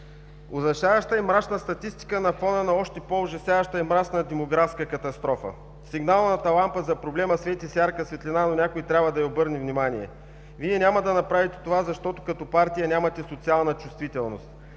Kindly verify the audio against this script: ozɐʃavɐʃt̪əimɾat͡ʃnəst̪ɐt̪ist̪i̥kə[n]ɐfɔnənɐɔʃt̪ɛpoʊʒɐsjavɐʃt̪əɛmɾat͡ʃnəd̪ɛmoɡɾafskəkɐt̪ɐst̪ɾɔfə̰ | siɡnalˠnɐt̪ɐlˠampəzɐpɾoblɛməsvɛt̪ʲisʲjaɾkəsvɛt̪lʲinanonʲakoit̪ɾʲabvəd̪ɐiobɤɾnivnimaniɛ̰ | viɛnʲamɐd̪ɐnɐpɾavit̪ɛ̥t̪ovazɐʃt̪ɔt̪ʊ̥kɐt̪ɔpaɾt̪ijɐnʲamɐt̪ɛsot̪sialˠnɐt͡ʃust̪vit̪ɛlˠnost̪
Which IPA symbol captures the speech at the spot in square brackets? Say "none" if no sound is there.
n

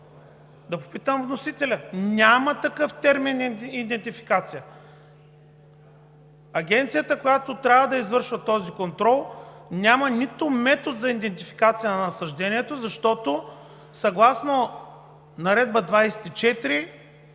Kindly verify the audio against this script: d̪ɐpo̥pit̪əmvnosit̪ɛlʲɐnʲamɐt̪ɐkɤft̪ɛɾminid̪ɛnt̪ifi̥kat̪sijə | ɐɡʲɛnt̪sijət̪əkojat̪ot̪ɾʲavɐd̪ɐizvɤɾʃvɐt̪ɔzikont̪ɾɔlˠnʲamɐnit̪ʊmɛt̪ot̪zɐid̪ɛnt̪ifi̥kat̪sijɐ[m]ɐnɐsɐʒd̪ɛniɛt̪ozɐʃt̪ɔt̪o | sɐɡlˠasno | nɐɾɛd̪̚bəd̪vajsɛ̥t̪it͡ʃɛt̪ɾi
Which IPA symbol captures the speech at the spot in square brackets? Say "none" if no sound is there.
n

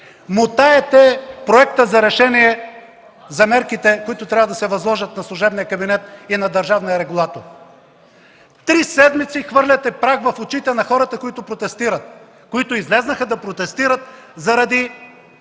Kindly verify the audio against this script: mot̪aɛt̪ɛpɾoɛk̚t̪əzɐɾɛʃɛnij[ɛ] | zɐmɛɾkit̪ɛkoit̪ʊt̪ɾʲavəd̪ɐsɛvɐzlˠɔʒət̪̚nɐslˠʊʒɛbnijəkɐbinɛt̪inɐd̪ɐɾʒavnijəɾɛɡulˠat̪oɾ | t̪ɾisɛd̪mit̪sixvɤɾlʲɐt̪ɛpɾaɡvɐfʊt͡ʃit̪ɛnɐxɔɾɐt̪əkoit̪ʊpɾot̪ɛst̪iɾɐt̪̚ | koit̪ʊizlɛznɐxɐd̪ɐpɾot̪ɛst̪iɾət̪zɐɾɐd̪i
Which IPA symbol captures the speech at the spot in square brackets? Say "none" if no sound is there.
ɛ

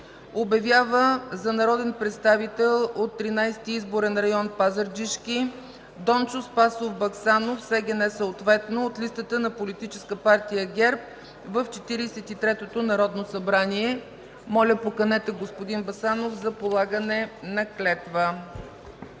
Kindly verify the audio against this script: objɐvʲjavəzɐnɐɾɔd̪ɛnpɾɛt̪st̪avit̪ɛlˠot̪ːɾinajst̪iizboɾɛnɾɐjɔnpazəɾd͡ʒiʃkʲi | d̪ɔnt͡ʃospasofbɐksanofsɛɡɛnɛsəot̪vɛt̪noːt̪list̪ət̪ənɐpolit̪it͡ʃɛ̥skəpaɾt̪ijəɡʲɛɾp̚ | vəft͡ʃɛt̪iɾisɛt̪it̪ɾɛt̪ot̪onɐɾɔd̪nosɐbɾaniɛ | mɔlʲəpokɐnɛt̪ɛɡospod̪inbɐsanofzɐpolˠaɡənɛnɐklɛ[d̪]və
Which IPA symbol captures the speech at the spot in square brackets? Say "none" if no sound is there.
t̪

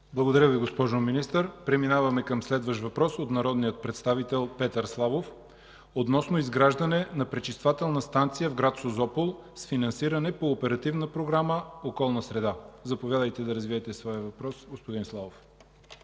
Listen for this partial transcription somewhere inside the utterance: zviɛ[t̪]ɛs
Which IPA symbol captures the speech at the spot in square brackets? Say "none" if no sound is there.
t̪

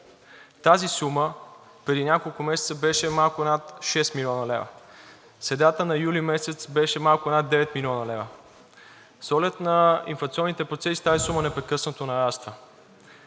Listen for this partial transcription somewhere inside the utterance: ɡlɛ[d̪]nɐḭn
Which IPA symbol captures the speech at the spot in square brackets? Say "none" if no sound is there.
t̪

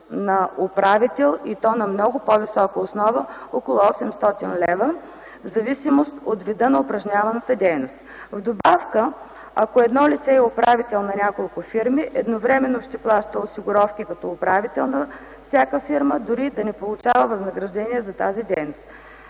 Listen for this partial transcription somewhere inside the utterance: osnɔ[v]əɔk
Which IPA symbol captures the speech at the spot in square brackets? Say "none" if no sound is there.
v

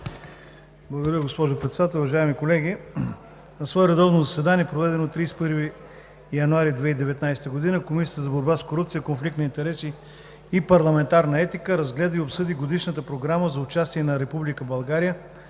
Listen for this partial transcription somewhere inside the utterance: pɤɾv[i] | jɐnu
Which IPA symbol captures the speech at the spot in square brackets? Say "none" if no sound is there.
i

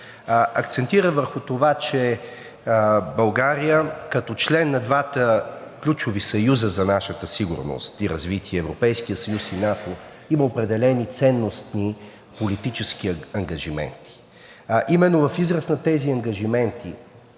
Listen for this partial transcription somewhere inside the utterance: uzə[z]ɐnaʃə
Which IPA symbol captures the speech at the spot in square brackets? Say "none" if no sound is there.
z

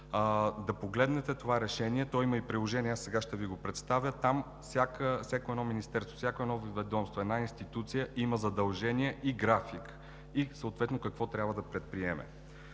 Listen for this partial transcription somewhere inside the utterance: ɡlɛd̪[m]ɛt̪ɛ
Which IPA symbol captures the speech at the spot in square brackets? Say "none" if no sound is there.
n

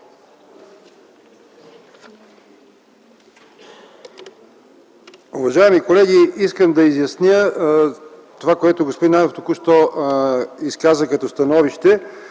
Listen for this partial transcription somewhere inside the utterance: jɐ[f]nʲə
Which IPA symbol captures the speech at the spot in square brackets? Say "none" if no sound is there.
s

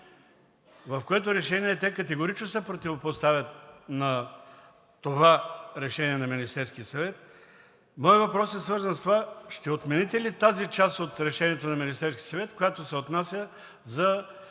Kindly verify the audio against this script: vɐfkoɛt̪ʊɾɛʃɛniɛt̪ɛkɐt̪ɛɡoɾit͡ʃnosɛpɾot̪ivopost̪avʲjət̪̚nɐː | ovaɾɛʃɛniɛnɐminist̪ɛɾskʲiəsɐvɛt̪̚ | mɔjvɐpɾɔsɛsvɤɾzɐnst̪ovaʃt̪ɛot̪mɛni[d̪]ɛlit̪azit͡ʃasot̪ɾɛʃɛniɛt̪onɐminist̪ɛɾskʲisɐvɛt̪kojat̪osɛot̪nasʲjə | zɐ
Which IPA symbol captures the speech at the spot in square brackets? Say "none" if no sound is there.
t̪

